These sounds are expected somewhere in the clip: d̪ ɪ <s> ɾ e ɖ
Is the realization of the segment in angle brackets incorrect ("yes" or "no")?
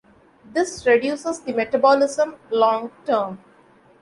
no